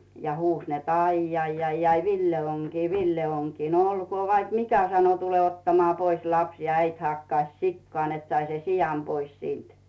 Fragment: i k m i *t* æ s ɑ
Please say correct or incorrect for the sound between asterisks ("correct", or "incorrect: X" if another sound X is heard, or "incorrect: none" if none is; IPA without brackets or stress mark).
incorrect: k